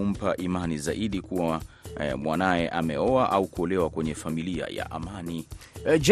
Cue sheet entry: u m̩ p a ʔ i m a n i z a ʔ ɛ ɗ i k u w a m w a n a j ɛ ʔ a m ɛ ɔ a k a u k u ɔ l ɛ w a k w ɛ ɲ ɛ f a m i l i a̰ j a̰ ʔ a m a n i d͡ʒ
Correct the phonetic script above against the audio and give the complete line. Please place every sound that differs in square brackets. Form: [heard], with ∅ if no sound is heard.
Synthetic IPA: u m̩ p a ʔ i m a n i z a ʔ [i] ɗ i k u w a m w a n a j ɛ ʔ a m ɛ ɔ a [ʔ] a u k u ɔ l ɛ w a k w ɛ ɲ ɛ f a m i l i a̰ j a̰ ʔ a m a n i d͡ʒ